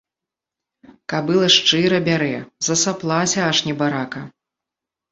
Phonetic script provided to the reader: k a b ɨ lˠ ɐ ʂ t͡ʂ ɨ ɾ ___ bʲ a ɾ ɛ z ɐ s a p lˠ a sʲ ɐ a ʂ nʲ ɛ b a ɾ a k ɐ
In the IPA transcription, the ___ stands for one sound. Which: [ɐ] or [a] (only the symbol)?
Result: ɐ